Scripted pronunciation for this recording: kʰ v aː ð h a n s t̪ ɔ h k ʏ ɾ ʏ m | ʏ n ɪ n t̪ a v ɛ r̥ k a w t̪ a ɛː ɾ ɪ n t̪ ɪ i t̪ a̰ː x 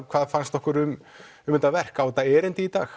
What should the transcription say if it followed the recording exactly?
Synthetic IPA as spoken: kʰ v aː ð f a n s t̪ ɔ h k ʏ ɾ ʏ m | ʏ m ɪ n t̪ a v ɛ r̥ k a w t̪ a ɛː ɾ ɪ n t̪ ɪ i t̪ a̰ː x